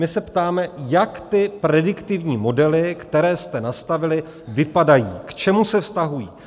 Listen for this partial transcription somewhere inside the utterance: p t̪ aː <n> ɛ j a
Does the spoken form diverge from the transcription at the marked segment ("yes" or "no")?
yes